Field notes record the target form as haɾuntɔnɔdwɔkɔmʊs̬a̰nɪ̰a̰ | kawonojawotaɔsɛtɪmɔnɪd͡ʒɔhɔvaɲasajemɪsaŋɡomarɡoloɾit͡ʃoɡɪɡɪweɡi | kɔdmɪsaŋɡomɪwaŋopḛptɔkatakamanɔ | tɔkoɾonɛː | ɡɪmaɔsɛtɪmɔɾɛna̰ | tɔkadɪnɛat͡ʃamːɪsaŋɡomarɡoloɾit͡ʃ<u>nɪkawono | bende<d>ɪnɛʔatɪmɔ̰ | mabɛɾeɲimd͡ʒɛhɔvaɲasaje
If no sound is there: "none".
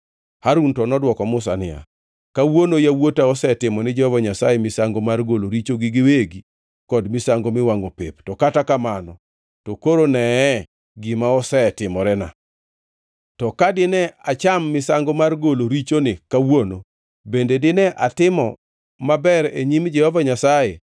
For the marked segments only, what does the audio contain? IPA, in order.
o, d

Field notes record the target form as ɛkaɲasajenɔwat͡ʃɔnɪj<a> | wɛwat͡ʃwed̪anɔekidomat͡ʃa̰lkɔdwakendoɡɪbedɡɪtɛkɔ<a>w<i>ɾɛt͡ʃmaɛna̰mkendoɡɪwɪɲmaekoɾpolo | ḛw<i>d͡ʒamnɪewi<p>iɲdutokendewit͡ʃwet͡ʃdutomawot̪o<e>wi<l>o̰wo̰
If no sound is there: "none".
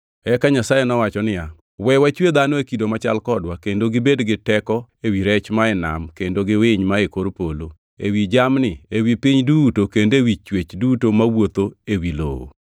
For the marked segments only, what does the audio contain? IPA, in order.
a, e, i, i, p, e, l

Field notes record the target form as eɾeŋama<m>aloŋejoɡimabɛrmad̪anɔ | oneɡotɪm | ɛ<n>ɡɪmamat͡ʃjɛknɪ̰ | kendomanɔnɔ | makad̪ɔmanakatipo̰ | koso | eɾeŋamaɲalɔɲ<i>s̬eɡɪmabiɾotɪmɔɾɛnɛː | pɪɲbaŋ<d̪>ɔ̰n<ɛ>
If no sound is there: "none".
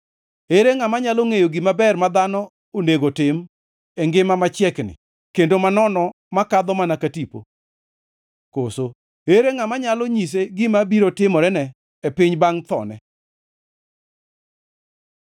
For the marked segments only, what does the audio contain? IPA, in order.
ɲ, ŋ, i, t̪, ɛ

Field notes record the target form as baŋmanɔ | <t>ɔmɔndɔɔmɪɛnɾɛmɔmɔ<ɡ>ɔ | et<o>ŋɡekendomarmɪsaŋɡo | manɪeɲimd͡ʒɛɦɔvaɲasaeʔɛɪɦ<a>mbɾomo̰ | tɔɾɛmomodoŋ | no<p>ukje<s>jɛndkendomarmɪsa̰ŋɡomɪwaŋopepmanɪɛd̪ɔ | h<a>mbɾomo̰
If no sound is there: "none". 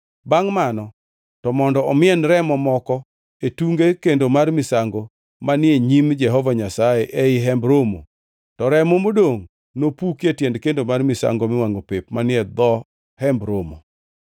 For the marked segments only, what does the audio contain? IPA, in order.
t, k, u, ɛ, p, t, ɛ

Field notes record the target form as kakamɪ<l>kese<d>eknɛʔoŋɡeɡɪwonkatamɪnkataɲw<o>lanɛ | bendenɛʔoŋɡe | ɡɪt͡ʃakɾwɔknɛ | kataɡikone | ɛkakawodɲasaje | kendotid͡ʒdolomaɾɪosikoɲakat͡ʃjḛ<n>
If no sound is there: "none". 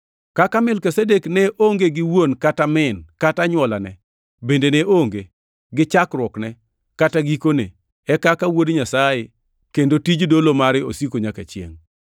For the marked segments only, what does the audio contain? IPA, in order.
l, d, ɔ, ŋ

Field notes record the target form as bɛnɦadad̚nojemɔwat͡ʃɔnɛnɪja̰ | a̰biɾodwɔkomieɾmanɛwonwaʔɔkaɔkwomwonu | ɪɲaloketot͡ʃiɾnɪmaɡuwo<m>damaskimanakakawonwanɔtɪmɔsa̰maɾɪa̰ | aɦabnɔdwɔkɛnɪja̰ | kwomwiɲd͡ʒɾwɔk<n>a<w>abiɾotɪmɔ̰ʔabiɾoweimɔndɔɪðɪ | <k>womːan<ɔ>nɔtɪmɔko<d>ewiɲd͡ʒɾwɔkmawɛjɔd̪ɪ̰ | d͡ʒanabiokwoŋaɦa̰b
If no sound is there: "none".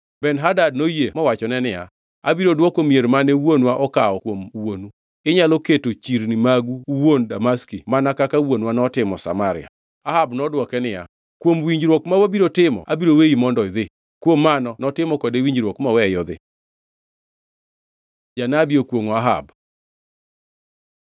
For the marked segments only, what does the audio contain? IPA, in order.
n, m, w, k, ɔ, d

